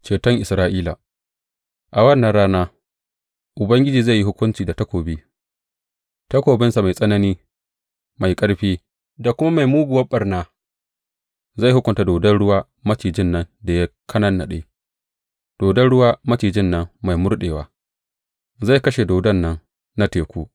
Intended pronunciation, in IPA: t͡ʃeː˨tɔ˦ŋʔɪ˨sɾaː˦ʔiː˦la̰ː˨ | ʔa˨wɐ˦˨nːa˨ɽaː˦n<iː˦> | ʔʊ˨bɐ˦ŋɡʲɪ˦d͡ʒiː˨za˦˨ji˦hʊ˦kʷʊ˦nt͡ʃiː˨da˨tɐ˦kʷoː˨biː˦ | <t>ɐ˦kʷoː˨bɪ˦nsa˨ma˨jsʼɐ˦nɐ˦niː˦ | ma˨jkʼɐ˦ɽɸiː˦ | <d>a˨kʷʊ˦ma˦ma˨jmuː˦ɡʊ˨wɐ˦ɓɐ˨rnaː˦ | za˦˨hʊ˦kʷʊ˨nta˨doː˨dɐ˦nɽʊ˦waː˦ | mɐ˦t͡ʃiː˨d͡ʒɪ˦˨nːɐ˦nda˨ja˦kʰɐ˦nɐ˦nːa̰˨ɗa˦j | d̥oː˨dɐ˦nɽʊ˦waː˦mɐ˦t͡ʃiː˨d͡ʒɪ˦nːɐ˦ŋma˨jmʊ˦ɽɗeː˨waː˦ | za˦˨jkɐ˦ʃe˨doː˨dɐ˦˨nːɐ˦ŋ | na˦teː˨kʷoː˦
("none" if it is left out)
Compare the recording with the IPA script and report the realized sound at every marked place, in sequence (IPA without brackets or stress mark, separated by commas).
aː˦, t, d